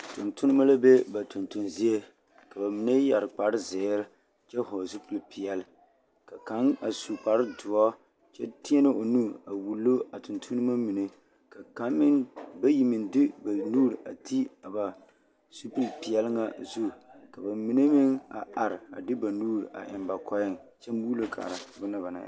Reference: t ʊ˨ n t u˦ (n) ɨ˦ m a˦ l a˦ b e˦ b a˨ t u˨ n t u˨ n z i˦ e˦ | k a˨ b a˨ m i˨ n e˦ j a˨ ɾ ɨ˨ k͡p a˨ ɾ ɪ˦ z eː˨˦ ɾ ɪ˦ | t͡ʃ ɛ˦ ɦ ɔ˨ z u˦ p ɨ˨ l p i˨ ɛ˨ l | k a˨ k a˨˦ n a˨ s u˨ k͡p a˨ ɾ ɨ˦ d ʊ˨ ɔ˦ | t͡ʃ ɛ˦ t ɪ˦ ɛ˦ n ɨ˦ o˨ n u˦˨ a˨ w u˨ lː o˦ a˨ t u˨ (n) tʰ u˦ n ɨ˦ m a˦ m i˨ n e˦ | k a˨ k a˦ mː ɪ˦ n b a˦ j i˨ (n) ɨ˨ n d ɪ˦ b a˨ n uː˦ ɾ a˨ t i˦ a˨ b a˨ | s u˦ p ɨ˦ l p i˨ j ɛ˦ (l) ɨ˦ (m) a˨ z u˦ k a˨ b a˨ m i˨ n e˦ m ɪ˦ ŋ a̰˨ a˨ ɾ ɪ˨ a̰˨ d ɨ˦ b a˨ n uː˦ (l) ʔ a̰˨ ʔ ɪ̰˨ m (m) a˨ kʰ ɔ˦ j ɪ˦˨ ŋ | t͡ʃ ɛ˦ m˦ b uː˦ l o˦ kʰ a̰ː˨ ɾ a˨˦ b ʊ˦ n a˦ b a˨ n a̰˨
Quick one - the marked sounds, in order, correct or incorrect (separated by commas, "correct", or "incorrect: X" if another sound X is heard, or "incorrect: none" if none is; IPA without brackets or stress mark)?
correct, correct, incorrect: m, correct, incorrect: ŋ, incorrect: ɾ, incorrect: b